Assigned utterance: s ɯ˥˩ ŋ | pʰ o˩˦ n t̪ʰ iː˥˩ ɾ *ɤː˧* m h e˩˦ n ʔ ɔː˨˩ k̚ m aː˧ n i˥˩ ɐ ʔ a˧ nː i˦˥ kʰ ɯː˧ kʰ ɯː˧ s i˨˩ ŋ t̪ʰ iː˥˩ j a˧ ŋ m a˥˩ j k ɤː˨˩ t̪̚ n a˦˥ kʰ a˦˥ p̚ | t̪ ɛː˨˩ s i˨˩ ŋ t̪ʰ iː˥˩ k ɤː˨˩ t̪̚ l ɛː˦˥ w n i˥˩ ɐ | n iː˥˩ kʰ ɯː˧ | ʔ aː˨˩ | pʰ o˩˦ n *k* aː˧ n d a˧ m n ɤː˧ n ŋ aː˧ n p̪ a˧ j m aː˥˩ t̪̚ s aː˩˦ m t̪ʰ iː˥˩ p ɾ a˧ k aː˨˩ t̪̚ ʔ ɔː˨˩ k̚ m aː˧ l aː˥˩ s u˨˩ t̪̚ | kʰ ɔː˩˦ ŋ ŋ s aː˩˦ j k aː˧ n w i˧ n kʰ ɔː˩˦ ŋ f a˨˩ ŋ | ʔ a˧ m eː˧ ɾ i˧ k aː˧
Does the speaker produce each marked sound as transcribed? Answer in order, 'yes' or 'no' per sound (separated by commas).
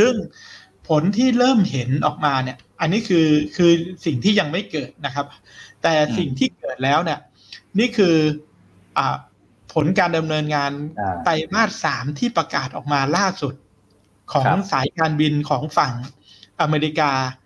no, yes